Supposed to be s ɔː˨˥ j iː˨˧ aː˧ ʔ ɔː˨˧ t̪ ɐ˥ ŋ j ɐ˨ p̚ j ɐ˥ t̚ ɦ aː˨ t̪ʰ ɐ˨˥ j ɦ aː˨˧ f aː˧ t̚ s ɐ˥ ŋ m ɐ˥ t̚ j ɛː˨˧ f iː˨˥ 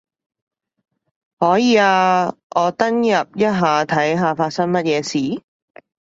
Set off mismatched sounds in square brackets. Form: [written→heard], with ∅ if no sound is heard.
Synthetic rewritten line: [s→h] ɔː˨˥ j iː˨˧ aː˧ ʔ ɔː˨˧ t̪ ɐ˥ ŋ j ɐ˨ p̚ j ɐ˥ t̚ ɦ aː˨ t̪ʰ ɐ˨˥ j ɦ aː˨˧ f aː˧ t̚ s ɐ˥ ŋ m ɐ˥ t̚ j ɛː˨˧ [f→s] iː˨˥